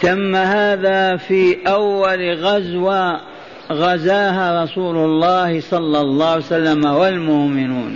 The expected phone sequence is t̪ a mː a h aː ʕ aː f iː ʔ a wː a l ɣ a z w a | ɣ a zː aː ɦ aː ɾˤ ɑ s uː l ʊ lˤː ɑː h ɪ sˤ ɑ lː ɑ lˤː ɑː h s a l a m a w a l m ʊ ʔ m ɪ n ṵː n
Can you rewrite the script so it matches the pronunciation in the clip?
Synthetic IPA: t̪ a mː a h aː ð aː f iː ʔ a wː a l ɣ a z w a | ɣ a z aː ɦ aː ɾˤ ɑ s uː l ʊ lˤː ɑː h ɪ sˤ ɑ lː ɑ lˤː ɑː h s a lː a m a w a l m ʊ ʔ m ɪ n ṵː n